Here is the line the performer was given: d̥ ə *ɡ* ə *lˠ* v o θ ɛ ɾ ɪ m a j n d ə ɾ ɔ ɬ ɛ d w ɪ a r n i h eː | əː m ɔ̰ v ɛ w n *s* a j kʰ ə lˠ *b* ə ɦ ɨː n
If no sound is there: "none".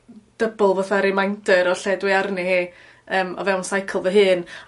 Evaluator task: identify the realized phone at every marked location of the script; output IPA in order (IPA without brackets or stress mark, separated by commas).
b, lˠ, s, v